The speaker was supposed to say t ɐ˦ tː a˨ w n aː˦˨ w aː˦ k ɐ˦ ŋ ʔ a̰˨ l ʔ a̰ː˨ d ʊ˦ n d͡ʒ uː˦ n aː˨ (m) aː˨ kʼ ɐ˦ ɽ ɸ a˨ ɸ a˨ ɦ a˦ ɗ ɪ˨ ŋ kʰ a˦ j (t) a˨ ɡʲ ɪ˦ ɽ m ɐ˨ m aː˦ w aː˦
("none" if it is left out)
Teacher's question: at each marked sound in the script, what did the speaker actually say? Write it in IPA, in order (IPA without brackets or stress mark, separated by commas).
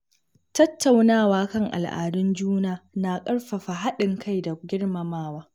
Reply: n, d